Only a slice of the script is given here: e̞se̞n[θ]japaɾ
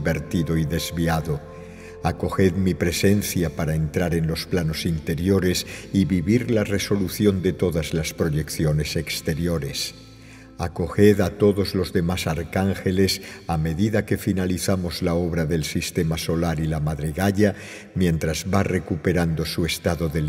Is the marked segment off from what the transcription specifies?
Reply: no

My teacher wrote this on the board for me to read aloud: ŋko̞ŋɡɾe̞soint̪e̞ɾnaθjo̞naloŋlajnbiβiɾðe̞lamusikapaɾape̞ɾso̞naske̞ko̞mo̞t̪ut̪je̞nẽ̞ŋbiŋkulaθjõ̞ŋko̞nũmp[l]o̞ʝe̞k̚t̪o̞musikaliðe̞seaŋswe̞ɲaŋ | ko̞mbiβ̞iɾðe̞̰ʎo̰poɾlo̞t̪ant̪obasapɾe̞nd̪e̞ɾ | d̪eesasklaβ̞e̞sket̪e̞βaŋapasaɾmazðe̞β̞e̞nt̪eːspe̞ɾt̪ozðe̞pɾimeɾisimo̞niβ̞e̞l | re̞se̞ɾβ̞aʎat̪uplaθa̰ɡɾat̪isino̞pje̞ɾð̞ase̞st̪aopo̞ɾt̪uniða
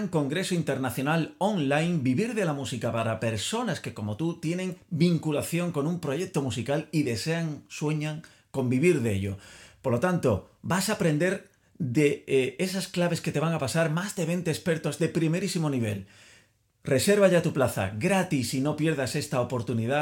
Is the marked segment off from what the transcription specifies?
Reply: yes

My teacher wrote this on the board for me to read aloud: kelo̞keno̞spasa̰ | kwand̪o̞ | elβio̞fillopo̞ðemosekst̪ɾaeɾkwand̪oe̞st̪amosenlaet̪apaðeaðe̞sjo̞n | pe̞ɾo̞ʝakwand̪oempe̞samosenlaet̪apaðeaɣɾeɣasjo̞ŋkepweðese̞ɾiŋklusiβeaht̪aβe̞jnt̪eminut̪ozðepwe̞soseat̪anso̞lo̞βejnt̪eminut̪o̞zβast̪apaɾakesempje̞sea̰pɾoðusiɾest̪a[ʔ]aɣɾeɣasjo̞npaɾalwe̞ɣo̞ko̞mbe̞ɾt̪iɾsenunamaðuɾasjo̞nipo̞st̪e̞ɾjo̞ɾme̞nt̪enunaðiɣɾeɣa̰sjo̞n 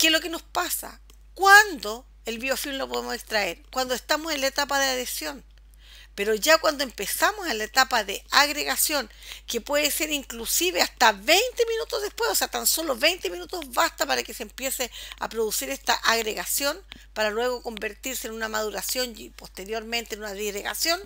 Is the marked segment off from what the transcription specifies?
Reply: no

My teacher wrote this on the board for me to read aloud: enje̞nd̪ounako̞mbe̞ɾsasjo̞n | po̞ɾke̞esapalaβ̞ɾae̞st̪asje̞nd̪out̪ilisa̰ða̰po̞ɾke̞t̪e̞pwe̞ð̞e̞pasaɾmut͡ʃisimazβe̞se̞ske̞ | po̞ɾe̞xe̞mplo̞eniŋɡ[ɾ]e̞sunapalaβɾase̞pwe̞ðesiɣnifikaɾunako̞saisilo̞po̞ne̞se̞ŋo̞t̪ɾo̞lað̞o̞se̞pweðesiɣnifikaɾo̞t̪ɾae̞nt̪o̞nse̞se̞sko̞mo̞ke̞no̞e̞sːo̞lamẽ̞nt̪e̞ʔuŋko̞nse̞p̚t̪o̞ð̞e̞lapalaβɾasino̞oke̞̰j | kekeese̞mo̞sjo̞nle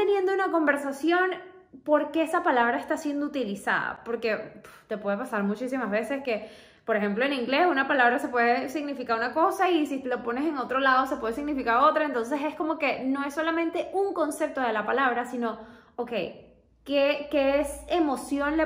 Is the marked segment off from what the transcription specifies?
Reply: yes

